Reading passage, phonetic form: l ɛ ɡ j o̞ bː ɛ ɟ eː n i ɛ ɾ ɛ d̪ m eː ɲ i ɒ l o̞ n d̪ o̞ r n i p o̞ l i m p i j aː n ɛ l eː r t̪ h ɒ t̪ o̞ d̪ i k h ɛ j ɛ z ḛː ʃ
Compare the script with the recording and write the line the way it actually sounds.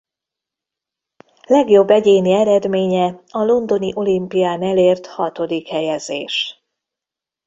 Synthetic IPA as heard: l ɛ ɡ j o̞ bː ɛ ɟ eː n i ɛ ɾ ɛ d̪ m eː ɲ ɛ ɒ l o̞ n d̪ o̞ n i ʔ o̞ l i m p i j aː n ɛ l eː r t̪ h ɒ t̪ o̞ d̪ i k h ɛ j ɛ z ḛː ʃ